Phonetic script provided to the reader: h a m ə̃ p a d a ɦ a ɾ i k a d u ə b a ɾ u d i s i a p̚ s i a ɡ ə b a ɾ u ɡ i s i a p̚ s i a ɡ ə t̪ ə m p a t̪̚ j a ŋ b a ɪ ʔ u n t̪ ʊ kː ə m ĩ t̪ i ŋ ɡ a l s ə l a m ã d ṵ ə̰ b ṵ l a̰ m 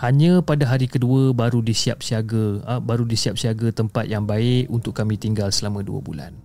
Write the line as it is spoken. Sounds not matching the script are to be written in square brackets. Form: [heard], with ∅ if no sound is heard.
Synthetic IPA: h a [ɲ] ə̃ p a d a ɦ a ɾ i k [ə] d u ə b a ɾ u d i s i a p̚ s i a ɡ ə b a ɾ u [d] i s i a p̚ s i a ɡ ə t̪ ə m p a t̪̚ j a ŋ b a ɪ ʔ u n t̪ ʊ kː [a] m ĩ t̪ i ŋ ɡ a l s ə l a m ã d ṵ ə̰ b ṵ l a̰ [n]